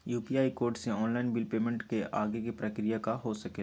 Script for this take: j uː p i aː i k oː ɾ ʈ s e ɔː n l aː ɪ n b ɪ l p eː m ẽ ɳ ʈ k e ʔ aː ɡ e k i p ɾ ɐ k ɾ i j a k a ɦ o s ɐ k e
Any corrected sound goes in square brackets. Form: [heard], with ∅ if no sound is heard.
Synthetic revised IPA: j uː p i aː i k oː ɾ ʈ s e ɔː n l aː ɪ n b ɪ l p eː m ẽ ɳ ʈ k e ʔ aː ɡ e k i p ɾ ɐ k ɾ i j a k a ɦ o s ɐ k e